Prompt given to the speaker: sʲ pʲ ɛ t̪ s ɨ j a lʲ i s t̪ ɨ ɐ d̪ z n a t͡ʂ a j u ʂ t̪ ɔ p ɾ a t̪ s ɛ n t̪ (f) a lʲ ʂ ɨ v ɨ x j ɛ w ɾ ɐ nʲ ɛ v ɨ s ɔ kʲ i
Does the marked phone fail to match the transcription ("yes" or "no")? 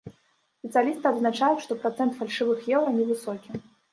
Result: no